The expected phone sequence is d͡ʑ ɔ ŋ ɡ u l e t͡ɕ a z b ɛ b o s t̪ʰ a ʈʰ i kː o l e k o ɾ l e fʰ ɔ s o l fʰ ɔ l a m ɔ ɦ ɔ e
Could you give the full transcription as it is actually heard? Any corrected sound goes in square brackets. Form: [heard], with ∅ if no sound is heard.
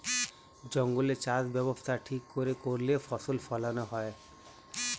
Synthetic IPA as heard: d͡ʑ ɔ ŋ ɡ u l e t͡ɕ a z b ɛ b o s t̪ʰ a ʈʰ i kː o [ɾ] e k o ɾ l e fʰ ɔ s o l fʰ ɔ l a [n] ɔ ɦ ɔ e